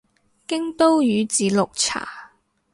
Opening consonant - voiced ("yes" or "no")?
no